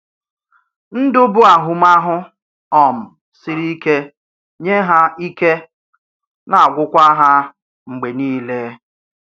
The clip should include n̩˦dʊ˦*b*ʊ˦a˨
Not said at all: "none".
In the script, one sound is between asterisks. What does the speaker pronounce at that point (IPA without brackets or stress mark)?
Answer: b